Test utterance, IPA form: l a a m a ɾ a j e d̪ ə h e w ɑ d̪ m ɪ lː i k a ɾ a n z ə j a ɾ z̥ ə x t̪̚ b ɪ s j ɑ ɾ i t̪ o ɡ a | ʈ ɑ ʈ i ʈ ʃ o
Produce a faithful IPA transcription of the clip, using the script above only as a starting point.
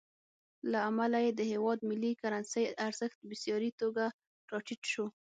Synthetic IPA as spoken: l a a m a l a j e d̪ ə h e w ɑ d̪ m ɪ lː i k a ɾ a n s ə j a ɾ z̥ ə x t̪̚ b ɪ s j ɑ ɾ i t̪ o ɡ a | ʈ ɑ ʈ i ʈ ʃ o

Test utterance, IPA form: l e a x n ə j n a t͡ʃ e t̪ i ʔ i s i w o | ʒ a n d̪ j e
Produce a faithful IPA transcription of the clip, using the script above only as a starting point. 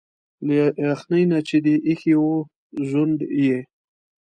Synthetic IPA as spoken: l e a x n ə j n a t͡ʃ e d̪ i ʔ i x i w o | ʒ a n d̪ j e

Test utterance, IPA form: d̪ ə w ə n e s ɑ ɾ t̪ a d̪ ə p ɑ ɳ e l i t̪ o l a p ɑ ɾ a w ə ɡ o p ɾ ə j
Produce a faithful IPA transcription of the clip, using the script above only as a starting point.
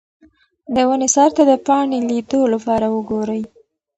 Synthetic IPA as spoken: d̪ ə w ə n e s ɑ ɾ t̪ a d̪ ə p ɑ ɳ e l i d̪ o l a p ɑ ɾ a w ə ɡ o ɾ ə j

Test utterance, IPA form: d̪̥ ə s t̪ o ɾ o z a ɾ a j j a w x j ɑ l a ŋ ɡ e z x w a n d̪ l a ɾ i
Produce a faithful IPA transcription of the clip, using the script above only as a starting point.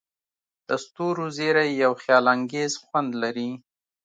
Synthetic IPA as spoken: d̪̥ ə s t̪ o ɾ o z e ɾ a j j a w x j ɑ l a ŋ ɡ e z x w a n d̪ l a ɾ i

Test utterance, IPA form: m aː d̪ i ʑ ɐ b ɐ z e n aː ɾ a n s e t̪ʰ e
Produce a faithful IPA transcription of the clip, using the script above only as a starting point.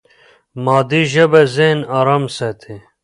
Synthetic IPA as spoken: m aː d̪ i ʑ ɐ b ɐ z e n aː ɾ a m s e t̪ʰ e

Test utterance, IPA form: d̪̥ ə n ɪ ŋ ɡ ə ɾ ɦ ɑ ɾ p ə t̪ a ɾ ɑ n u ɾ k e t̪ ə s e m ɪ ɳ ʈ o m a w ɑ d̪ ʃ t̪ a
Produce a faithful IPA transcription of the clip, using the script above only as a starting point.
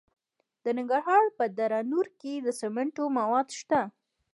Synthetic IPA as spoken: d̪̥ ə n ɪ ŋ ɡ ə ɾ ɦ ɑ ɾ p ə d̪ a ɾ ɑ n u ɾ k e d̪ ə s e m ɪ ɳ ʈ o m a w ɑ d̪ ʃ t̪ a

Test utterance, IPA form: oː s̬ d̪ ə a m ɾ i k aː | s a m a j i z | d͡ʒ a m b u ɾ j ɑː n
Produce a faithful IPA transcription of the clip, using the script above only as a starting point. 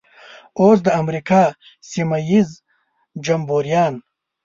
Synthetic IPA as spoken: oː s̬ d̪ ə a m ɾ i k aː | s i m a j i z | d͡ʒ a m b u ɾ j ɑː n

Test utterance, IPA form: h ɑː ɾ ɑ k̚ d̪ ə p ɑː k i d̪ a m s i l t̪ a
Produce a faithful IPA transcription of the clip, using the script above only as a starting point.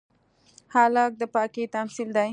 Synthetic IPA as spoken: h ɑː l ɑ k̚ d̪ ə p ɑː k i t̪ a m s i l d̪ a

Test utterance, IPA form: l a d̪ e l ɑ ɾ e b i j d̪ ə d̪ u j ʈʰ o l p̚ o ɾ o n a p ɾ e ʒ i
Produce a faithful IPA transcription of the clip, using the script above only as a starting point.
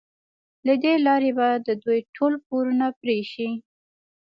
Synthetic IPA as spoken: l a d̪ e l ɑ ɾ e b a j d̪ ə d̪ u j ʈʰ o l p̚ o ɾ u n a p ɾ e ʃ i

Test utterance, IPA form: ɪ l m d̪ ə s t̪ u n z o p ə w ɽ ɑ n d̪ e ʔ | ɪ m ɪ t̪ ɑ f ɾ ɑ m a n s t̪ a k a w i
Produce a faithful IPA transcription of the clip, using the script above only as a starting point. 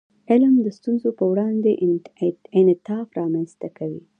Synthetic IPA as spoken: ɪ l m d̪ ə s t̪ u n z o p ə w ɽ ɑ n d̪ e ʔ | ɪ n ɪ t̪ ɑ f ɾ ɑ m a n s t̪ a k a w i

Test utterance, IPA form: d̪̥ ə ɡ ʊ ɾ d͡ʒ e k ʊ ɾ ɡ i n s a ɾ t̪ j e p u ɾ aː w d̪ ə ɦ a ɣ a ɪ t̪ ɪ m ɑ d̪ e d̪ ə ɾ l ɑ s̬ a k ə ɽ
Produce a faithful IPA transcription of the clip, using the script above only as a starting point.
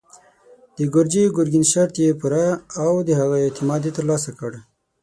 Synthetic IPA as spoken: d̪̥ ə ɡ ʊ ɾ d͡ʒ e ɡ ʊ ɾ ɡ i n ʃ a ɾ t̪ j e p u ɾ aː w d̪ ə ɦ a ɣ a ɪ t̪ ɪ m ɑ d̪ e t̪ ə ɾ l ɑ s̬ a k ə ɽ

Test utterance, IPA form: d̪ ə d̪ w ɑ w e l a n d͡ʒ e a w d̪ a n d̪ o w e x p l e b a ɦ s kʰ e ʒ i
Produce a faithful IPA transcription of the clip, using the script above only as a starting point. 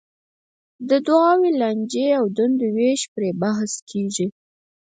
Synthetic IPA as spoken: d̪ ə d̪ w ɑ w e l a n d͡ʒ e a w d̪ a n d̪ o w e ʃ p ɾ e b a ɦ s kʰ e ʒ i

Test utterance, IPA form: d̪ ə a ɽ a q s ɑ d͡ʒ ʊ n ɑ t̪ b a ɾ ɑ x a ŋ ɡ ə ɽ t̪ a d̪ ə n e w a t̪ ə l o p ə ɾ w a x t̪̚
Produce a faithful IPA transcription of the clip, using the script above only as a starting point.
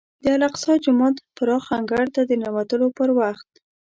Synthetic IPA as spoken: d̪ ə a l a q s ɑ d͡ʒ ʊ m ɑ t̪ p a ɾ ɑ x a ŋ ɡ a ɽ t̪ a d̪ ə n a w a t̪ ə l o p ə ɾ w a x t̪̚

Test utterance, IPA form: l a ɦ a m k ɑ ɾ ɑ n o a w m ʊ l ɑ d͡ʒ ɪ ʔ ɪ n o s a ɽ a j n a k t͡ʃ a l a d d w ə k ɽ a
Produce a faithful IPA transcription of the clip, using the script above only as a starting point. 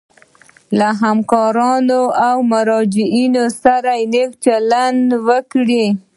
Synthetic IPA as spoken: l a ɦ a m k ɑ ɾ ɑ n o a w m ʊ ɾ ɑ d͡ʒ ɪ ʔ i n o s a ɾ a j n e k t͡ʃ a l a n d w ə k ɽ i

